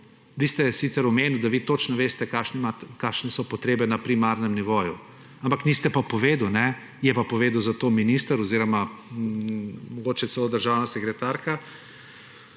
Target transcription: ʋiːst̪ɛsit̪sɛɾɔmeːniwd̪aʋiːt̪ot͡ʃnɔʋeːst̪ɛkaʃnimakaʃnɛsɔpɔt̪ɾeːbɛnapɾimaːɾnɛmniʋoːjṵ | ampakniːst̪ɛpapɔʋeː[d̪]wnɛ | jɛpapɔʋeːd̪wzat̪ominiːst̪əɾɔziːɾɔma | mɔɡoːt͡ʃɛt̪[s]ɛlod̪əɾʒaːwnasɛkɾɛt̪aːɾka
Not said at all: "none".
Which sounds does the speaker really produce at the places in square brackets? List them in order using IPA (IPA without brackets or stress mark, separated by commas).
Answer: d̪, s